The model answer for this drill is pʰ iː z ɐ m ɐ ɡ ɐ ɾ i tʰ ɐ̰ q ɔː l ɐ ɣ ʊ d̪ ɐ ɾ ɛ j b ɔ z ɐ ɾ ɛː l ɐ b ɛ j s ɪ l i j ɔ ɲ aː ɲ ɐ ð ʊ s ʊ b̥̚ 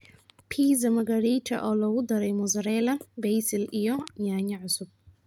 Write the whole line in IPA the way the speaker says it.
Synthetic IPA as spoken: pʰ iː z ɐ m ɐ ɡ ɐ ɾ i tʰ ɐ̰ ʔ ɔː l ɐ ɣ ʊ d̪ ɐ ɾ ɛ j m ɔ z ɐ ɾ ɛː l ɐ b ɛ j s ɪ l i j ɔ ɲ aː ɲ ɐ ʕ ʊ s ʊ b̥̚